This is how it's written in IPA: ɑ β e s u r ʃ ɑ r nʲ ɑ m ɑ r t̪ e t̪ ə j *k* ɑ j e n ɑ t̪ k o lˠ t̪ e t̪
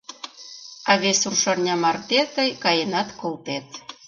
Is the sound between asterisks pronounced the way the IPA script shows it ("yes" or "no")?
yes